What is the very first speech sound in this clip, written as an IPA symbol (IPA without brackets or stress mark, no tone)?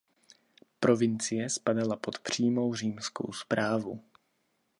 p